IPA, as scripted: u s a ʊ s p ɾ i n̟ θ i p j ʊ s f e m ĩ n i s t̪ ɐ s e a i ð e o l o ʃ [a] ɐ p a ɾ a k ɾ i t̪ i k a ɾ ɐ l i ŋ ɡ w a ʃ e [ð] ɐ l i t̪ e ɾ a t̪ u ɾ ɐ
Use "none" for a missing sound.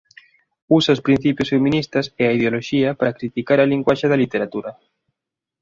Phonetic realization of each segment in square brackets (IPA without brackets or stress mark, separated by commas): i, ð